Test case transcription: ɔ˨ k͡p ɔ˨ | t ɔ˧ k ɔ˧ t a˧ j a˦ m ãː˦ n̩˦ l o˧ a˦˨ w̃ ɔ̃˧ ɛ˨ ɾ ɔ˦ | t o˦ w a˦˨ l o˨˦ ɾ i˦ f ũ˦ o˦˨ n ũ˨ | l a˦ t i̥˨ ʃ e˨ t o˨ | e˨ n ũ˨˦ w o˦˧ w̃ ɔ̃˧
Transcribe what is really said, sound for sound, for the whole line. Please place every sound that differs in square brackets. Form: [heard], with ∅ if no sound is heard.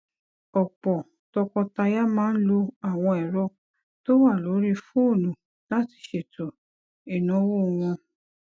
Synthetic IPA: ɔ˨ k͡p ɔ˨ | t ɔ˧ k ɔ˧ t a˧ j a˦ m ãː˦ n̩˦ l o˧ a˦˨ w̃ ɔ̃˧ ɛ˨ ɾ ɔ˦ | t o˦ w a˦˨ l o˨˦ ɾ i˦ f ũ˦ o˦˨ n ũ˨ | l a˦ t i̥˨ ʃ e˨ t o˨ | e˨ n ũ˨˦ w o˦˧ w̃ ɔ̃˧